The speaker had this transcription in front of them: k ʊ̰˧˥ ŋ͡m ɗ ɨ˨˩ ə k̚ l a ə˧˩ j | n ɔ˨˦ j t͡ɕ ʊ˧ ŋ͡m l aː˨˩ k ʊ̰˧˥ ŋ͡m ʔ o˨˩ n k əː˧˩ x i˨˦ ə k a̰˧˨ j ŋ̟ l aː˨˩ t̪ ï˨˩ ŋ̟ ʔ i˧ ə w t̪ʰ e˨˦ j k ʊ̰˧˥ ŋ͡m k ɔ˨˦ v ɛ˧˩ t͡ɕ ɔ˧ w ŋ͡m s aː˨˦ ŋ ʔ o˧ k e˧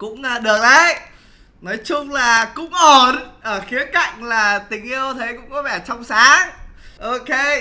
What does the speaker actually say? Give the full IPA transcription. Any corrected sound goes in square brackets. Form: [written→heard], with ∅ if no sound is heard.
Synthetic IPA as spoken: k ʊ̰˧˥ ŋ͡m ɗ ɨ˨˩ ə k̚ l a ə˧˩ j | n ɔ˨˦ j t͡ɕ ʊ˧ ŋ͡m l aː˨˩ k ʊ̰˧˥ ŋ͡m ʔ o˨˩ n [k→ʔ] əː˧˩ x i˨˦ ə k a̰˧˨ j ŋ̟ l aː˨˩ t̪ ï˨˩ ŋ̟ ʔ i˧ ə w t̪ʰ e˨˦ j k ʊ̰˧˥ ŋ͡m k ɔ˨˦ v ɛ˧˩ t͡ɕ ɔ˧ w ŋ͡m s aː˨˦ ŋ ʔ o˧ k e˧

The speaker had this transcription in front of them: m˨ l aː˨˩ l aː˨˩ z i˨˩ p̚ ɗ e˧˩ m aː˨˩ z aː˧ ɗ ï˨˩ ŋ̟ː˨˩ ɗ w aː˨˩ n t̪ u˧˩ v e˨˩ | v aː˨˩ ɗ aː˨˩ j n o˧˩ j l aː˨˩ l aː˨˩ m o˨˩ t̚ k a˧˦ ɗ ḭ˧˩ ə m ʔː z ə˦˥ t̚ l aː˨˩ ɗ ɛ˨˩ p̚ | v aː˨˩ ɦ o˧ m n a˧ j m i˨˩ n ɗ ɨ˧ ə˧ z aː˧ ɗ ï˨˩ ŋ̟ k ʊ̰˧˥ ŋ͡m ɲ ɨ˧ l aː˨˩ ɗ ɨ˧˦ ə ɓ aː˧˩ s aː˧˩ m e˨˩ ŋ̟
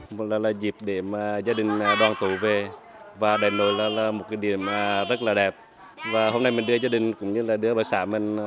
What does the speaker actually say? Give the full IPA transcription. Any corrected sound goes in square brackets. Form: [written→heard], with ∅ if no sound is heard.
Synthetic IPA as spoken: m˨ l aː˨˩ l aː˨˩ z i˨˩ p̚ ɗ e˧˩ m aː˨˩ z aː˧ ɗ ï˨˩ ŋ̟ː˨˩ ɗ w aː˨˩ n t̪ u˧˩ v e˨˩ | v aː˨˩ ɗ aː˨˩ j n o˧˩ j l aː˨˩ l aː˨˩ m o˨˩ t̚ k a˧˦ ɗ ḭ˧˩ ə m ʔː z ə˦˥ t̚ l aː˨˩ ɗ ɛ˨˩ p̚ | v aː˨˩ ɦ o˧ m n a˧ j m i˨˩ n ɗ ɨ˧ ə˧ z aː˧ ɗ ï˨˩ ŋ̟ k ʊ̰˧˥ ŋ͡m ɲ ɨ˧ l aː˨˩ ɗ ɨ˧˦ ə ɓ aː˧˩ s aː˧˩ m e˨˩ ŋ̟

